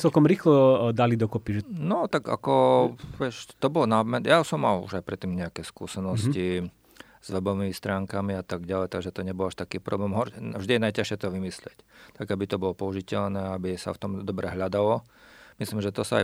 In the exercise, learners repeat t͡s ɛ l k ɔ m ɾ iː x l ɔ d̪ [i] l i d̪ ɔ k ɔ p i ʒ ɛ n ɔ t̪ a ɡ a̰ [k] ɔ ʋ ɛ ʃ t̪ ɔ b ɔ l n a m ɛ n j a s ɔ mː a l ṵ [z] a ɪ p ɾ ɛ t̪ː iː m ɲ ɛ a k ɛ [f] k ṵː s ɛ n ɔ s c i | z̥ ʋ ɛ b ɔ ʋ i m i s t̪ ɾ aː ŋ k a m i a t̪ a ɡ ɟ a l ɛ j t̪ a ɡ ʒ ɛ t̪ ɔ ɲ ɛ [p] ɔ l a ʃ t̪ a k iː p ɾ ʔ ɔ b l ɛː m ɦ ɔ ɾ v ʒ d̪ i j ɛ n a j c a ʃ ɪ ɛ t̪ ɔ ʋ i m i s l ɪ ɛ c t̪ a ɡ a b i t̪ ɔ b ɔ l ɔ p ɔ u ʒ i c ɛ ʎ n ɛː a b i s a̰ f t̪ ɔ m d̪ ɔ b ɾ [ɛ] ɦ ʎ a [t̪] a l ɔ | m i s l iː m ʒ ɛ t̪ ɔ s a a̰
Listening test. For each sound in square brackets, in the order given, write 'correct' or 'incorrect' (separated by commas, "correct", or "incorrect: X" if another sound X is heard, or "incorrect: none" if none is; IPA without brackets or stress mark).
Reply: incorrect: a, correct, incorrect: ʒ, incorrect: s, incorrect: b, correct, incorrect: d̪